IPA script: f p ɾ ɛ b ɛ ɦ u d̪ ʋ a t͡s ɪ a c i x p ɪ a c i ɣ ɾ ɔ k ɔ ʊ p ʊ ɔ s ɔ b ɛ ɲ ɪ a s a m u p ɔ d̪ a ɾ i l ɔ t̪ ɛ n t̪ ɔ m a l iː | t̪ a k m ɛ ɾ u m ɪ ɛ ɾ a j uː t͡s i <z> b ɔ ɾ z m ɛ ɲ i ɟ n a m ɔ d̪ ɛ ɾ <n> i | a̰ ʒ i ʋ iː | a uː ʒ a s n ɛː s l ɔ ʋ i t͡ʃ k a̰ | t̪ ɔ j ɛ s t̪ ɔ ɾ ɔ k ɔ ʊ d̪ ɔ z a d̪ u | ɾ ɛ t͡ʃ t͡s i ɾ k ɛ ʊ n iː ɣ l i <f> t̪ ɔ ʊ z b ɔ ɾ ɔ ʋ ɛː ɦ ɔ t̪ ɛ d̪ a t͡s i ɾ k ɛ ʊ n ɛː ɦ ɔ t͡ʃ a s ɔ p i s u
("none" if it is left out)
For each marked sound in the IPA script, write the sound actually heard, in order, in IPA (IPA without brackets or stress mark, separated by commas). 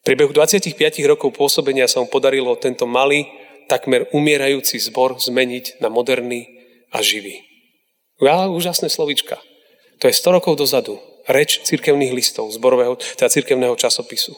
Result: z, n, s